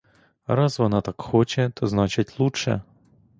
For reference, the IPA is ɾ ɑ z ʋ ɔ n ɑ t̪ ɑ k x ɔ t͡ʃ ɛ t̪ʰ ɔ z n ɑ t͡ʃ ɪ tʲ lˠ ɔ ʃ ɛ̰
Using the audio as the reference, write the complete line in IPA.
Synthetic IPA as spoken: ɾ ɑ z ʋ ɔ n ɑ t̪ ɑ k x ɔ t͡ʃ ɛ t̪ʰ ɔ z n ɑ t͡ʃ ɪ tʲ lˠ u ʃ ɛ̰